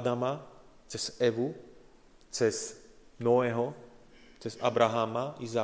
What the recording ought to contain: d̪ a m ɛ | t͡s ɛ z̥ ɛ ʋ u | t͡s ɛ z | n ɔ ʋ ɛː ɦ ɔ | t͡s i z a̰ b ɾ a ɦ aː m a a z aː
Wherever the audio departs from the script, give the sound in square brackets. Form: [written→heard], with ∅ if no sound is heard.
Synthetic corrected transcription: d̪ a m [ɛ→a] | t͡s ɛ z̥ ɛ ʋ u | t͡s ɛ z | n ɔ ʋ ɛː ɦ ɔ | t͡s [i→ɛ] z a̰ b ɾ a ɦ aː m a [a→i] z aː